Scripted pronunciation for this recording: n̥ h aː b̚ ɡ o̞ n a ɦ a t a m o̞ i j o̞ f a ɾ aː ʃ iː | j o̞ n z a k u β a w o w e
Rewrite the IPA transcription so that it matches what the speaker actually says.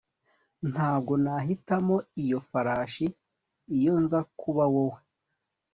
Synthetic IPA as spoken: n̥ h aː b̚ ɡ o̞ n a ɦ i t a m o̞ i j o̞ f a ɾ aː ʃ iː | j o̞ n z a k u β a w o w e